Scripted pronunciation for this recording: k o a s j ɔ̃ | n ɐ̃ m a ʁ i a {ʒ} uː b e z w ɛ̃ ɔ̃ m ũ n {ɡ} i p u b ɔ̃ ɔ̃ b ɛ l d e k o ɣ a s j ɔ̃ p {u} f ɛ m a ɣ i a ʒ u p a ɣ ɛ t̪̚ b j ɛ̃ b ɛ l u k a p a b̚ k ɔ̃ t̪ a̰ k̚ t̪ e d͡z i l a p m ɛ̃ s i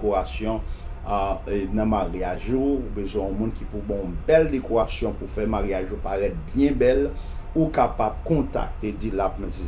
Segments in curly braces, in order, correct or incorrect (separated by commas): correct, incorrect, correct